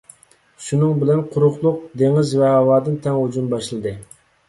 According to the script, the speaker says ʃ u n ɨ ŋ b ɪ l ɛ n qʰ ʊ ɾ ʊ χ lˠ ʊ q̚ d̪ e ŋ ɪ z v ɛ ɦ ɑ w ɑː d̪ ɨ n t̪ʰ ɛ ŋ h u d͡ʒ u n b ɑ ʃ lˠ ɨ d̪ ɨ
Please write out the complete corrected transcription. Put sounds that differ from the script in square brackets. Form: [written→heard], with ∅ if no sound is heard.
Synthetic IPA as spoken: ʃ u n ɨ ŋ b ɪ l ɛ n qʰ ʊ ɾ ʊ χ lˠ ʊ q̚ d̪ e ŋ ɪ z v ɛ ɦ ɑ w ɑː d̪ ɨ n t̪ʰ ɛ ŋ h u d͡ʒ u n b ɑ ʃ lˠ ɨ d̪ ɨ